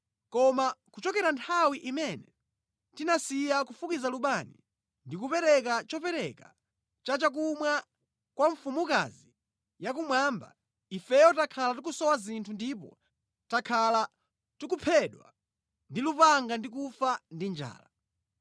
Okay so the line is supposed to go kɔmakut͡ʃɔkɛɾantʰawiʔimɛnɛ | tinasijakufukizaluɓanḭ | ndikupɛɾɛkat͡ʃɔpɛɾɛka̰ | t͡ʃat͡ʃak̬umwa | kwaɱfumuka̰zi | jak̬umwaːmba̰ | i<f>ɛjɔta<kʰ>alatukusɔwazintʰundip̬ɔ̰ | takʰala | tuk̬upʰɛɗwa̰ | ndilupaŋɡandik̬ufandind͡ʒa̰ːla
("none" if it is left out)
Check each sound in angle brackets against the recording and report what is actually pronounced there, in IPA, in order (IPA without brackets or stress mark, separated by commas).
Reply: f, kʰ